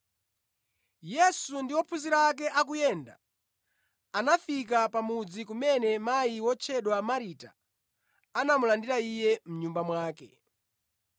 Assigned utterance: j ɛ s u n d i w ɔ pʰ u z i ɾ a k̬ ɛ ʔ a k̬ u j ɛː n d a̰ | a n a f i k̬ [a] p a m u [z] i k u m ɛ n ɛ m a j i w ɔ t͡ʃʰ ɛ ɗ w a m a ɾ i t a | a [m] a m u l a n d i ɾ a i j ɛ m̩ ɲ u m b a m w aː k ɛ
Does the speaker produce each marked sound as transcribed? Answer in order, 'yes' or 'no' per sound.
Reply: yes, no, no

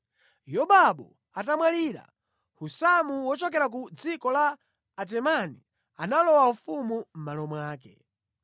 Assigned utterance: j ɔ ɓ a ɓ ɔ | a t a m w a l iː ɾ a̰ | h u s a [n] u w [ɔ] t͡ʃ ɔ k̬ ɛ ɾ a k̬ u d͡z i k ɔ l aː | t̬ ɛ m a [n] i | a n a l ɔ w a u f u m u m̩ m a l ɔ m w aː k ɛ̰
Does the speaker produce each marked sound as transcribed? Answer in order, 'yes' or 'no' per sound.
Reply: no, yes, yes

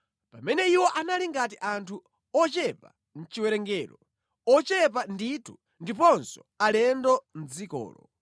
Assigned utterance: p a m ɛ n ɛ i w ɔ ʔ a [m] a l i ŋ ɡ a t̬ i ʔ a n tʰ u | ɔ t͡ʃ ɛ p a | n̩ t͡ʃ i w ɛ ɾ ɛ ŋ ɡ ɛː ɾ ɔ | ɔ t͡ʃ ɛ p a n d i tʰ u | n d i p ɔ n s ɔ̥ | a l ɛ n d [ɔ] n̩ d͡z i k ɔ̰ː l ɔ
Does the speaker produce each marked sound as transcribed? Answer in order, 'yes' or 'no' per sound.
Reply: no, yes

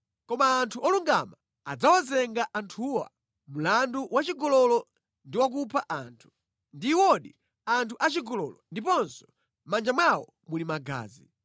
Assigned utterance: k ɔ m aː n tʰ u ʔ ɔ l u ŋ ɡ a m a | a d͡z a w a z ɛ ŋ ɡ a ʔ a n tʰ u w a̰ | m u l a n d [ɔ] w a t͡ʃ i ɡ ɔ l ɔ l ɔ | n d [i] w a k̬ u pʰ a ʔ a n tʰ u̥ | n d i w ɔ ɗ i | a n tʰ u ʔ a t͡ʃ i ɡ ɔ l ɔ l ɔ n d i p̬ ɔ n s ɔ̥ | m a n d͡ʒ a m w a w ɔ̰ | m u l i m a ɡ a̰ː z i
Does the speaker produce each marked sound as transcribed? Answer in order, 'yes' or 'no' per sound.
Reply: no, yes

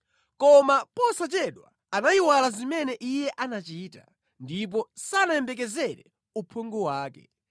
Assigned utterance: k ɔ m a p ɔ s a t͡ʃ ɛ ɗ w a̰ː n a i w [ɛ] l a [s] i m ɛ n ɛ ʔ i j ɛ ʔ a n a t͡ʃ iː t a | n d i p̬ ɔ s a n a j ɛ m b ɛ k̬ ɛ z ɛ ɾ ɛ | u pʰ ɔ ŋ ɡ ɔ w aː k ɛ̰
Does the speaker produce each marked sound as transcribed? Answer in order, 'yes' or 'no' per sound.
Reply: no, no

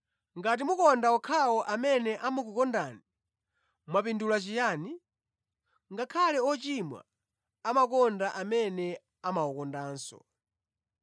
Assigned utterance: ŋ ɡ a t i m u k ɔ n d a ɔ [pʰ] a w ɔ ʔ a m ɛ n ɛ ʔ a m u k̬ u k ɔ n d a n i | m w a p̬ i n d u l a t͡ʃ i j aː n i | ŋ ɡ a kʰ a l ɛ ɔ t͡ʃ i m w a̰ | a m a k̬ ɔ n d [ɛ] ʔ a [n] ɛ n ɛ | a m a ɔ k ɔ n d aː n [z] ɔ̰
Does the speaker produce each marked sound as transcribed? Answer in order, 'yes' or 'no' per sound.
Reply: no, no, no, no

